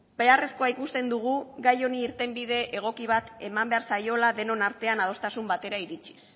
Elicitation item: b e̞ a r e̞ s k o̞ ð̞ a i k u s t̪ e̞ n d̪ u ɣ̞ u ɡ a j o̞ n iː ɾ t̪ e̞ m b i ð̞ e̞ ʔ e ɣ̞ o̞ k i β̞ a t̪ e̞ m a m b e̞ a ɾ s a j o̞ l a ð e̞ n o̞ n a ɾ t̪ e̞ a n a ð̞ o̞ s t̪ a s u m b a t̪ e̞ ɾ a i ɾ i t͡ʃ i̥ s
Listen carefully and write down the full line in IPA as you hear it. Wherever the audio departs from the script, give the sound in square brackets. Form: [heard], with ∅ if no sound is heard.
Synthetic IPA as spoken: b e̞ a r e̞ s k o̞ [∅] a i k u s t̪ e̞ n d̪ u ɣ̞ u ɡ a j o̞ n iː ɾ t̪ e̞ m b i ð̞ e̞ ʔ e ɣ̞ o̞ k i β̞ a t̪ e̞ m a m b e̞ a ɾ s a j o̞ l a ð e̞ n o̞ n a ɾ t̪ e̞ a n a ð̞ o̞ s t̪ a s u m b a t̪ e̞ ɾ a i ɾ i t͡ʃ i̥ s